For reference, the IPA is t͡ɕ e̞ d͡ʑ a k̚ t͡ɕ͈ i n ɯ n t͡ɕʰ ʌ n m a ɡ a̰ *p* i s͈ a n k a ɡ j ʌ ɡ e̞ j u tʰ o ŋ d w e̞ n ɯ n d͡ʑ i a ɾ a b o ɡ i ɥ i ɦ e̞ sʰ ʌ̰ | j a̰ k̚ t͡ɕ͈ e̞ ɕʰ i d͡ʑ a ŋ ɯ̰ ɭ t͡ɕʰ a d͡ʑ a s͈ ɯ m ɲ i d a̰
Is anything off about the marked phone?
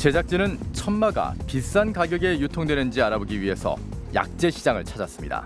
no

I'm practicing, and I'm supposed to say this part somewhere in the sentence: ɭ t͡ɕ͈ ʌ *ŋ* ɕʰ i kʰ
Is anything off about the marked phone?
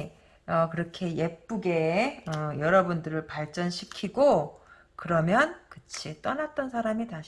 yes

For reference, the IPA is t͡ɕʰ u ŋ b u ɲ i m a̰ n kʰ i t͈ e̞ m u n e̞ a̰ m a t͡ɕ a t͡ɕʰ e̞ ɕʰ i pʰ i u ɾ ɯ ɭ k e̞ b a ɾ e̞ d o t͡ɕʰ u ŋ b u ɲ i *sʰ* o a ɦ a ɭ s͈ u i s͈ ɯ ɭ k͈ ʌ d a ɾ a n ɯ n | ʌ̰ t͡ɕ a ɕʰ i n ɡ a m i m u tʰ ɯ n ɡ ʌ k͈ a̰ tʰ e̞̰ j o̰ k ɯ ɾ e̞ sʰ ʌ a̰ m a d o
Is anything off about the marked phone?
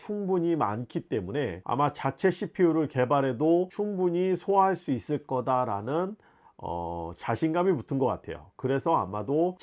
no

